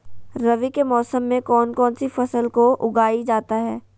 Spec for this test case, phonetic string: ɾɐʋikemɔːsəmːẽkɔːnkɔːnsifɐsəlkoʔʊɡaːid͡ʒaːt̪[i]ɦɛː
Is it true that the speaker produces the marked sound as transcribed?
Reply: no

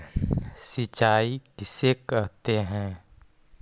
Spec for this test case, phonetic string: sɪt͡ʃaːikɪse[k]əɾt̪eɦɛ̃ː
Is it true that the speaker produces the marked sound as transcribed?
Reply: yes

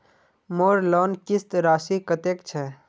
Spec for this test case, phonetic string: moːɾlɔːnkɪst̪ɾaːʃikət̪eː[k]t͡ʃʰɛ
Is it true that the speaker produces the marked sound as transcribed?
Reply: yes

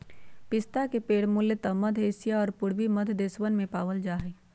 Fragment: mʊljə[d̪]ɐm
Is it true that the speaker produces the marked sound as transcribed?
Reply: no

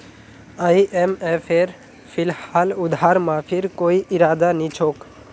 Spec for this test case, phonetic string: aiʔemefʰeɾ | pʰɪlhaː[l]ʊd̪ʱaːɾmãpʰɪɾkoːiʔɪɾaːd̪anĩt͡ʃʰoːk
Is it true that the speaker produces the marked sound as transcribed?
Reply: yes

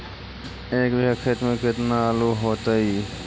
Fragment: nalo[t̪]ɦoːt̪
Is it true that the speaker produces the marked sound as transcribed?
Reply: no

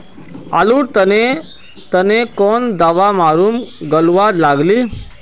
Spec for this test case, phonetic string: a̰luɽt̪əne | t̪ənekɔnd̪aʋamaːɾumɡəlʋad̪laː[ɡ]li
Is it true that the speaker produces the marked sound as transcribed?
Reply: yes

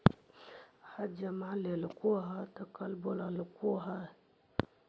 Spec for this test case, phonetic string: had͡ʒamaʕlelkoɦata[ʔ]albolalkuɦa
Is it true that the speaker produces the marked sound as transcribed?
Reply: no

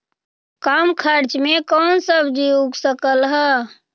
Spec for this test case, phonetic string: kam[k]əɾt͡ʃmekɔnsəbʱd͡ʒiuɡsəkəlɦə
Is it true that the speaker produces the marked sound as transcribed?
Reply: no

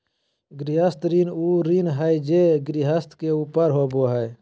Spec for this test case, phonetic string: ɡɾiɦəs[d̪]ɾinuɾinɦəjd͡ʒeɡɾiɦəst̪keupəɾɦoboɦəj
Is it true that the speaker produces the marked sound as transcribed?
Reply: no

